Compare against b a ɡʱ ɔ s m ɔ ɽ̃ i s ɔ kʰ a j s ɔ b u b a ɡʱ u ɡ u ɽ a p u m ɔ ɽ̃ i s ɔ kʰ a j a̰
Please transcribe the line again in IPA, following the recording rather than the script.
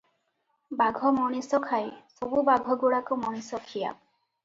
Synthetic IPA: b a ɡʱ ɔ m ɔ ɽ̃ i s ɔ kʰ a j s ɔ b u b a ɡʱ ɔ ɡ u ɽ a k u m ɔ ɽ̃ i s ɔ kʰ i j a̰